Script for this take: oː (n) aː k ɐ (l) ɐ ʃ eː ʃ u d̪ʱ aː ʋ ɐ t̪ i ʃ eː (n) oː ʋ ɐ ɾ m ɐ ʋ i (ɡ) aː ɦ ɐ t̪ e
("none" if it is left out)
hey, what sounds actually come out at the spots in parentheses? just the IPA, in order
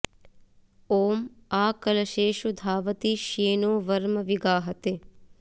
m, l, n, ɡ

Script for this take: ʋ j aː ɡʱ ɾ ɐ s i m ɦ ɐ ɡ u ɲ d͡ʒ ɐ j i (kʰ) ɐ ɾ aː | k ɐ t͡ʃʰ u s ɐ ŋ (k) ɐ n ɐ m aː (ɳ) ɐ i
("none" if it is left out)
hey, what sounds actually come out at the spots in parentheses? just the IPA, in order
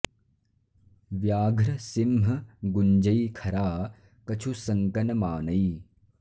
kʰ, k, n

